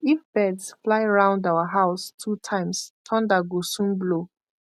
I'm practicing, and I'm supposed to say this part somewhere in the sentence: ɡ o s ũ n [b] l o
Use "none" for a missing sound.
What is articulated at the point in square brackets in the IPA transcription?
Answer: b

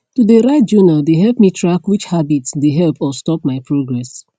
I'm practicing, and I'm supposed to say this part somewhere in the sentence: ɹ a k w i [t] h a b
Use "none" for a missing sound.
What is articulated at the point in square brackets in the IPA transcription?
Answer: t͡ʃ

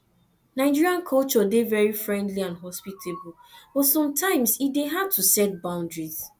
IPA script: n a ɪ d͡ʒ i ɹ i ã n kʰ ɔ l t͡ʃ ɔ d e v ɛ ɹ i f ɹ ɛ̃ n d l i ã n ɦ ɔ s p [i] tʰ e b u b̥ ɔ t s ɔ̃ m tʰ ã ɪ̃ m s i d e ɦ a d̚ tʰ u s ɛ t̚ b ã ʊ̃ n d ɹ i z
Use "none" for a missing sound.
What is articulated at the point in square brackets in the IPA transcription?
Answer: i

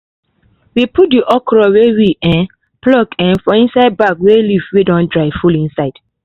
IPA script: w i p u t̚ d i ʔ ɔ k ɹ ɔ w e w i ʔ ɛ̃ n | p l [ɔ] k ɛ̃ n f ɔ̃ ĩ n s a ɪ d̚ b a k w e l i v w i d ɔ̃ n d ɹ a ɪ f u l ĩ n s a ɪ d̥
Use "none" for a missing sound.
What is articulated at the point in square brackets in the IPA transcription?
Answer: ɔ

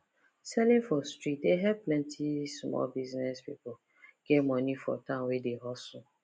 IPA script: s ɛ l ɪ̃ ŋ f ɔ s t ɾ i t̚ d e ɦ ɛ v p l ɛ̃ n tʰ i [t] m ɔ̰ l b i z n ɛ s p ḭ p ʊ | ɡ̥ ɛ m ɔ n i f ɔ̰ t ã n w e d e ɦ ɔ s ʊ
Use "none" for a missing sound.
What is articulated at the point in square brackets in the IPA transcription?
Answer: s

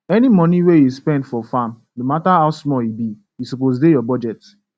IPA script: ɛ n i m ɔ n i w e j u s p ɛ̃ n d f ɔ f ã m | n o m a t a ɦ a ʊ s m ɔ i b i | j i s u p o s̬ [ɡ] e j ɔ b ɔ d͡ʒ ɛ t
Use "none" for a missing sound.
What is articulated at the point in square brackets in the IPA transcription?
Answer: d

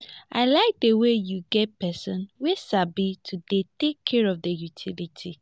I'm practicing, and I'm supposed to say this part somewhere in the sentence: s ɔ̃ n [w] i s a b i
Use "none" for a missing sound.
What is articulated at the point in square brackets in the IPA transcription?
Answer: w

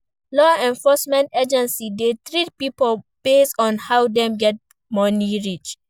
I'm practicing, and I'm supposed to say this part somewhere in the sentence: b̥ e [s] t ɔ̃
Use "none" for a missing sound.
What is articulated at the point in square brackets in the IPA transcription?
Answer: s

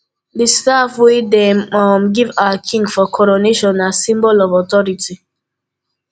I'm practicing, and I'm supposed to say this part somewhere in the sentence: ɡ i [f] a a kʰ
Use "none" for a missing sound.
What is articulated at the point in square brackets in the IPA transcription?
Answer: v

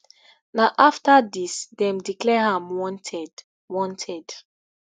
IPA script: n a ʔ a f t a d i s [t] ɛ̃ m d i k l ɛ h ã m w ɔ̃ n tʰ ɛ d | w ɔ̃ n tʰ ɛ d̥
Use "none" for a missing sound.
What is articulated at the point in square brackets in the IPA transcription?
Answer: d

